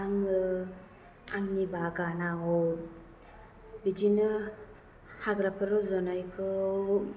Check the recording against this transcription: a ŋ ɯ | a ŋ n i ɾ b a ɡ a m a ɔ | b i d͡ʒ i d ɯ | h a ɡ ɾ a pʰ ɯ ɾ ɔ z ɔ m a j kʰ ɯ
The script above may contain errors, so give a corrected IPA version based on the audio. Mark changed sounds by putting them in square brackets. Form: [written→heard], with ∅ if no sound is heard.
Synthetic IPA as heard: a ŋ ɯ | a ŋ n i [ɾ→∅] b a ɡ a [m→n] a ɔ | b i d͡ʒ i [d→n] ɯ | h a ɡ ɾ a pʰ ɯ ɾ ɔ z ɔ [m→n] a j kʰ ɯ